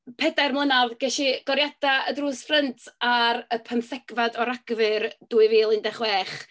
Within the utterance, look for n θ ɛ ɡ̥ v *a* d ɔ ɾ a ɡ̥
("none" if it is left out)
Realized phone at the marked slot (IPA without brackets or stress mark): a